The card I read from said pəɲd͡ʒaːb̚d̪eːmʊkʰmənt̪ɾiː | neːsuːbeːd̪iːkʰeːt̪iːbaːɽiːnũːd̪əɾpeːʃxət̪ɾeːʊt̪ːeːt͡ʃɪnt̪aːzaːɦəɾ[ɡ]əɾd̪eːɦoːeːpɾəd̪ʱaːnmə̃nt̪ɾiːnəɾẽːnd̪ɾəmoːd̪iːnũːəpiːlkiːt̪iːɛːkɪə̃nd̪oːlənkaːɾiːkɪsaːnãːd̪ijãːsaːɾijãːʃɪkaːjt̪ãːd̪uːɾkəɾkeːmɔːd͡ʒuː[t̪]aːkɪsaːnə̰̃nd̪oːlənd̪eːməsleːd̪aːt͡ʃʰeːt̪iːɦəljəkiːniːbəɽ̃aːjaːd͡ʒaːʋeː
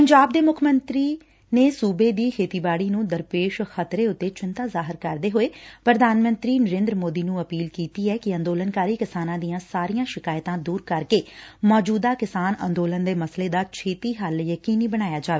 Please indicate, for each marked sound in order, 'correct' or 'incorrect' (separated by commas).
incorrect, incorrect